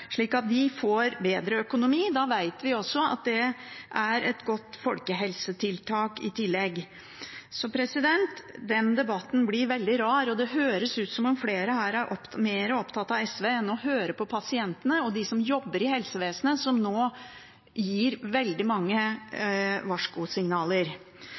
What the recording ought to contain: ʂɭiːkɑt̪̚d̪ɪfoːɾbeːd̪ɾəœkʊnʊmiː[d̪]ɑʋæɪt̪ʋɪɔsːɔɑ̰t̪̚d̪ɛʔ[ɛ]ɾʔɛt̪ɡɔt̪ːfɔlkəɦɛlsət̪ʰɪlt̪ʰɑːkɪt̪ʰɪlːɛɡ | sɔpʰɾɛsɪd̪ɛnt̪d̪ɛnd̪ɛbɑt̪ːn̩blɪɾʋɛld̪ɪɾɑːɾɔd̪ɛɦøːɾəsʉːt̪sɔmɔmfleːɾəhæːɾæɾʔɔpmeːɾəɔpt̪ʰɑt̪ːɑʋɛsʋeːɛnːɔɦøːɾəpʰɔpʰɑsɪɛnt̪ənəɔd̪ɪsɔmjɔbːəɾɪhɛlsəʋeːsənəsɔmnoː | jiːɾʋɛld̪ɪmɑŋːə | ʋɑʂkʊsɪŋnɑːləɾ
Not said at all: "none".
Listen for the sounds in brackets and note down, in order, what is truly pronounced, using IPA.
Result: d̪, æ

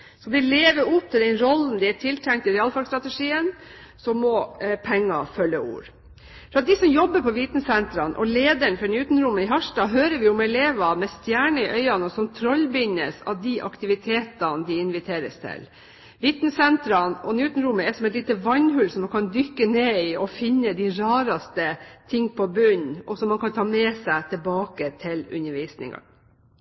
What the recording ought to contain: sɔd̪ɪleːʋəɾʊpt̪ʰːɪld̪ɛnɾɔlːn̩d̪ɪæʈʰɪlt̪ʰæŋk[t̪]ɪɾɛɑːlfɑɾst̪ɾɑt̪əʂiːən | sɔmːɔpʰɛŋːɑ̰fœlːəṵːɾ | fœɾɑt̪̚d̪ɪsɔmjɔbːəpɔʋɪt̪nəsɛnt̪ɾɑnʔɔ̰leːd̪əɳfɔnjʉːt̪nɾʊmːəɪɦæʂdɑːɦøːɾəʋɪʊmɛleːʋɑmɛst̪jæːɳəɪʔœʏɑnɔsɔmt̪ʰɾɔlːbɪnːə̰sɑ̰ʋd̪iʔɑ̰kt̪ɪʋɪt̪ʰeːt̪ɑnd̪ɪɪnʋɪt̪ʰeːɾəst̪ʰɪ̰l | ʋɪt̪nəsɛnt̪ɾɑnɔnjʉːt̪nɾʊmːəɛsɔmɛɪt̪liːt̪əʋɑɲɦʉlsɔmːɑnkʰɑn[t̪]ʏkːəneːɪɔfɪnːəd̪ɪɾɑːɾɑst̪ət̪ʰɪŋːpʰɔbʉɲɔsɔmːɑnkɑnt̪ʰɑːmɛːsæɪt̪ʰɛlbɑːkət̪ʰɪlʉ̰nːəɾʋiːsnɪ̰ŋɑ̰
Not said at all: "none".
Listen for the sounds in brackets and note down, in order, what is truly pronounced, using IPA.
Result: t̪, d̪

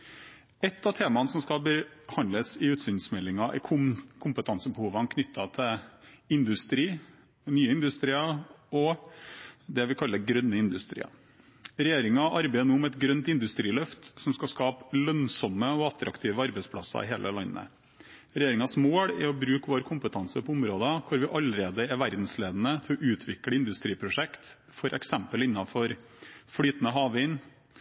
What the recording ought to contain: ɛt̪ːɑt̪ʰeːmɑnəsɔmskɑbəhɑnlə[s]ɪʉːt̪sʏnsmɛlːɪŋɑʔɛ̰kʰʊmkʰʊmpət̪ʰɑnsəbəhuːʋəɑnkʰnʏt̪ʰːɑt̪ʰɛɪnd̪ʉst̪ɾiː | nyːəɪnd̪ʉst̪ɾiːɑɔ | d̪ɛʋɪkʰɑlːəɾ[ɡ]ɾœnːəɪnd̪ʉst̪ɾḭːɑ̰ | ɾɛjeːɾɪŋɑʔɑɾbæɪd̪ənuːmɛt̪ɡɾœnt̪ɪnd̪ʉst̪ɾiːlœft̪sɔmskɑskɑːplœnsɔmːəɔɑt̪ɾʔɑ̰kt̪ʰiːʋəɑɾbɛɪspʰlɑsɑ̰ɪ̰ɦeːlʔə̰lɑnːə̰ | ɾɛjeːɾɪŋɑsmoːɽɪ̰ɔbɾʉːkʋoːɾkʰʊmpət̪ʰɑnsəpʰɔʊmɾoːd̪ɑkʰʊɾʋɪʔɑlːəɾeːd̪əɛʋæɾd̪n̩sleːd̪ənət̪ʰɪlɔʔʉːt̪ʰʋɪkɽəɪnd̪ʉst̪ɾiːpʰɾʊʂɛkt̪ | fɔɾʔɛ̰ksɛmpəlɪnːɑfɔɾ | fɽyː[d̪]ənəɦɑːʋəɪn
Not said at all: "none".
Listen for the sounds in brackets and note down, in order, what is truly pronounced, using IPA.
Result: s, ɡ, t̪

